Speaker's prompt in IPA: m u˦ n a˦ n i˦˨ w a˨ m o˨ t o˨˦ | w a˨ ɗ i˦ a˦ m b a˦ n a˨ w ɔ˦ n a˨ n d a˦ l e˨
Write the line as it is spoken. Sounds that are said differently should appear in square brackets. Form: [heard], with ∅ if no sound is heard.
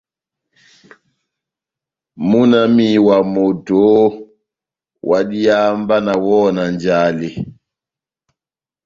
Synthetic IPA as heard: m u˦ n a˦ [m] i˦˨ w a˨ m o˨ t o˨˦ | w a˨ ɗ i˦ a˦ m b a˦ n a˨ w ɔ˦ n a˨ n [d͡ʒ] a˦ l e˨